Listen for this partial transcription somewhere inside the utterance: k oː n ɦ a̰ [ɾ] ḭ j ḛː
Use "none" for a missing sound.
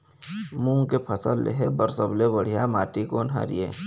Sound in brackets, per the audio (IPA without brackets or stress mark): ɾ